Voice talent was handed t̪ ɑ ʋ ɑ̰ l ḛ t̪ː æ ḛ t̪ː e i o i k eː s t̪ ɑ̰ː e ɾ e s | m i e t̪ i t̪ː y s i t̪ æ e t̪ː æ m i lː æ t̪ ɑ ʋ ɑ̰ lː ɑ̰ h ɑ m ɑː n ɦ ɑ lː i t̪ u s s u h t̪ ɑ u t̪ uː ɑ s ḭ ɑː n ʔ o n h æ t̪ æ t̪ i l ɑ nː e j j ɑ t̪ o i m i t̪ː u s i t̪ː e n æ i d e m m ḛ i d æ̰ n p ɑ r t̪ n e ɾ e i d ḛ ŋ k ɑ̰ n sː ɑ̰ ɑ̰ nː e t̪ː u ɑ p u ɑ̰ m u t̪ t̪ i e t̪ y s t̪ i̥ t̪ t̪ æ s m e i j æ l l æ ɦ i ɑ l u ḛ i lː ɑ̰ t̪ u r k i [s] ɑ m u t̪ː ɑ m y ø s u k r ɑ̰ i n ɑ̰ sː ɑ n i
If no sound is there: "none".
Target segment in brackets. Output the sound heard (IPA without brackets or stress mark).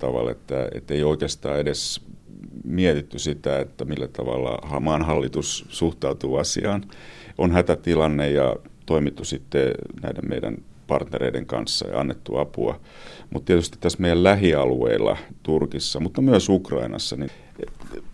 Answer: sː